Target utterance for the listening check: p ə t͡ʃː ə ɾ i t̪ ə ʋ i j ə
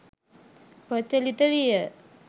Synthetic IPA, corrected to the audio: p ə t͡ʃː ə l i t̪ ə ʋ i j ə